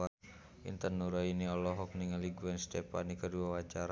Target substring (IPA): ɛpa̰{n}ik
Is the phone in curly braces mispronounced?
no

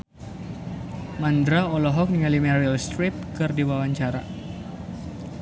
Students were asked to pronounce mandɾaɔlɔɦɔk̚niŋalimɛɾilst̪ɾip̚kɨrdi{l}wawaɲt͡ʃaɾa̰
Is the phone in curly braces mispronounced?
yes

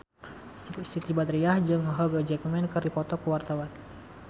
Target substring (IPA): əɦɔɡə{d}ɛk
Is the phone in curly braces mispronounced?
yes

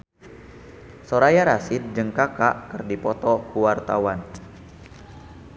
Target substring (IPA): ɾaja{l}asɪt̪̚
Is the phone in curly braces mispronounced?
yes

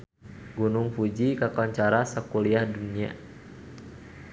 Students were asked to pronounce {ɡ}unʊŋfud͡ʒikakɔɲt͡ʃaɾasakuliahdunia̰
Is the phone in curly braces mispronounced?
no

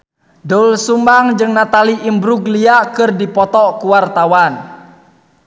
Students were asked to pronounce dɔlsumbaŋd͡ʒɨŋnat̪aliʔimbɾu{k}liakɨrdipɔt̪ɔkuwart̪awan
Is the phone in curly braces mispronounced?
yes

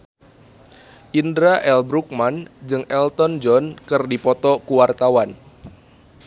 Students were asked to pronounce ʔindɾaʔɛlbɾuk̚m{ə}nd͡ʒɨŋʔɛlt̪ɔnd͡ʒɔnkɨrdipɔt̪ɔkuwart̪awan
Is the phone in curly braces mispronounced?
yes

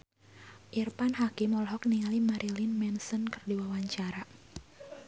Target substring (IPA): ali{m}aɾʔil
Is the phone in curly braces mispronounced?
no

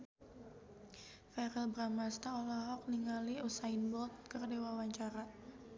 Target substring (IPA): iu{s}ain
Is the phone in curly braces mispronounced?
no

